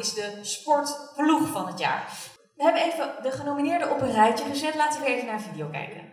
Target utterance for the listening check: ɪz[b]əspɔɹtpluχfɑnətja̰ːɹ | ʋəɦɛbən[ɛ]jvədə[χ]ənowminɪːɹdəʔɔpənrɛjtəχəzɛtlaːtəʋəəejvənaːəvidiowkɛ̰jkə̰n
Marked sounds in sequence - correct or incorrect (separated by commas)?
incorrect, incorrect, correct